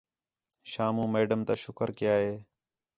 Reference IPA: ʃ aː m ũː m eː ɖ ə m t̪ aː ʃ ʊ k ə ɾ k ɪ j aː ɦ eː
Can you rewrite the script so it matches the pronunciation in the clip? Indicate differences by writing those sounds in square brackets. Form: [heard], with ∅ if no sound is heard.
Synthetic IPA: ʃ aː m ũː m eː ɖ ə m t̪ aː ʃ ʊ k ə ɾ k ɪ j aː ɦ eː